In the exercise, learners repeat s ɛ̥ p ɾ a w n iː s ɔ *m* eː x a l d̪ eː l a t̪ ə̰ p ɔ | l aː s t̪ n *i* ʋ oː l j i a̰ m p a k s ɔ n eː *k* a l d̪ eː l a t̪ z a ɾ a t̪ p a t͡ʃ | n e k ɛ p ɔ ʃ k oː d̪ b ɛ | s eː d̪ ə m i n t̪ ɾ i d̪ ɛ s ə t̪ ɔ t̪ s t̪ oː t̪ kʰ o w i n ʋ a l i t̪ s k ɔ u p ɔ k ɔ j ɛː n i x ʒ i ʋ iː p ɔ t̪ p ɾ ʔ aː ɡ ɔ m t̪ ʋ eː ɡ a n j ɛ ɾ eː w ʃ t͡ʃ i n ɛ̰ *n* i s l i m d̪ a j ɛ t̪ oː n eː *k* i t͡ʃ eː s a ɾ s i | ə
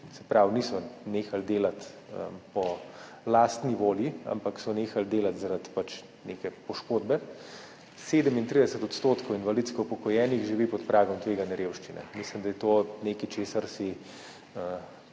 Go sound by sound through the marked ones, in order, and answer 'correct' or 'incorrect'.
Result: incorrect: n, correct, incorrect: x, incorrect: m, correct

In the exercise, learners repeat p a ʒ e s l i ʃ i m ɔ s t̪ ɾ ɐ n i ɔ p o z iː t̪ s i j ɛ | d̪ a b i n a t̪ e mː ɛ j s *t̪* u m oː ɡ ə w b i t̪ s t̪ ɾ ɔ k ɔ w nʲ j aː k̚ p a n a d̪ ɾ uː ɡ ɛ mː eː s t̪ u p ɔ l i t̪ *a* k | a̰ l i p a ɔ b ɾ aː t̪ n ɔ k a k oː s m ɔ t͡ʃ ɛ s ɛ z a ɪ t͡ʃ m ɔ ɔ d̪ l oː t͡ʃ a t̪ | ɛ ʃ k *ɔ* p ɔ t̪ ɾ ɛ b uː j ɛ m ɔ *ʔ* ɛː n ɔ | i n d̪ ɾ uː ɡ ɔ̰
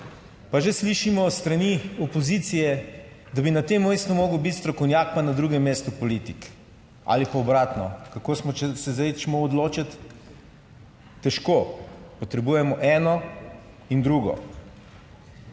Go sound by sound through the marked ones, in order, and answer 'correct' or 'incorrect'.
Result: correct, incorrect: i, incorrect: o, correct

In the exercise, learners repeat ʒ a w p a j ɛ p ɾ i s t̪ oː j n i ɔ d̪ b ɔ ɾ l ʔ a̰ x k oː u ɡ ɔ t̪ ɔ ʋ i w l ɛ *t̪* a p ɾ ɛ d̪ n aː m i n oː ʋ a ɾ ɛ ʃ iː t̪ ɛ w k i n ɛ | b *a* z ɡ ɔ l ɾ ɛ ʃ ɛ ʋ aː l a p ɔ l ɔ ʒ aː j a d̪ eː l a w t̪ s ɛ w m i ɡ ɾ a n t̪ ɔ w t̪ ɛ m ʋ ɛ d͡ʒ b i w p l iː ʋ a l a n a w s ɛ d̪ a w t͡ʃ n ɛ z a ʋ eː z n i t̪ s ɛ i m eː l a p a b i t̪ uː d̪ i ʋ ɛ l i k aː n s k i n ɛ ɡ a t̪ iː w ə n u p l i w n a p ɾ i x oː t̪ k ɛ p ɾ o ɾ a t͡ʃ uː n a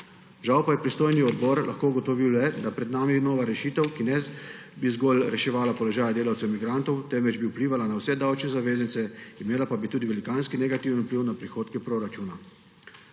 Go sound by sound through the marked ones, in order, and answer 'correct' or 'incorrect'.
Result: incorrect: d̪, incorrect: i

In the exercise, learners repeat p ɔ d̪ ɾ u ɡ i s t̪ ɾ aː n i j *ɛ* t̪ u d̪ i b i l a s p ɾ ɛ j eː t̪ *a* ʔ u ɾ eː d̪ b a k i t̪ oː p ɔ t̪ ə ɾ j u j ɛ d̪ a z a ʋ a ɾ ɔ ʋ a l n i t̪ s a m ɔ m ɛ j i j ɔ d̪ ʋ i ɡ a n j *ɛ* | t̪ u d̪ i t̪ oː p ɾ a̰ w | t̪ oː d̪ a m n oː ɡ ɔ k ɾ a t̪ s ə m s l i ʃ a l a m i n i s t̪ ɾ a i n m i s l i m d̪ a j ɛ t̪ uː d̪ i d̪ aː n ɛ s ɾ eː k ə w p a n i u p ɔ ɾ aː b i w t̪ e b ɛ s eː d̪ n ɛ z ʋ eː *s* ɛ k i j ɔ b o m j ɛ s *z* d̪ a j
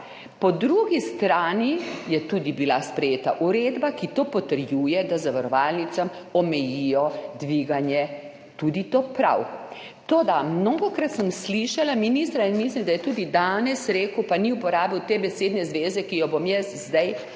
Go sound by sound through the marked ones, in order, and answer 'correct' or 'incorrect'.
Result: correct, correct, correct, incorrect: z, correct

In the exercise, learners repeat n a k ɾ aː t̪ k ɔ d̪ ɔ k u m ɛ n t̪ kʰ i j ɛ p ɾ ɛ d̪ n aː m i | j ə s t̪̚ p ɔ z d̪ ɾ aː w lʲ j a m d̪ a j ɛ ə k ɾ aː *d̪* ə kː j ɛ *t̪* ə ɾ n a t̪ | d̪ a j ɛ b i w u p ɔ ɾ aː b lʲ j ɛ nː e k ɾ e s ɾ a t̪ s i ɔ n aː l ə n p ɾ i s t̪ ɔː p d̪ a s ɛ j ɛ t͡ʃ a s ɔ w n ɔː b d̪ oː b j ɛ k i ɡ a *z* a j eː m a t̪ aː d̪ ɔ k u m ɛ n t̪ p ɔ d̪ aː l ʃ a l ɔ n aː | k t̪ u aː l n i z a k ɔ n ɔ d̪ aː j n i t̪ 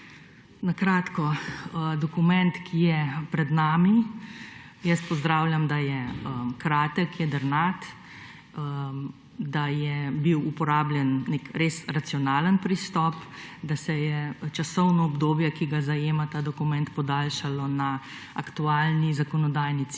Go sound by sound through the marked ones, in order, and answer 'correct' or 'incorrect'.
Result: incorrect: t̪, incorrect: d̪, correct

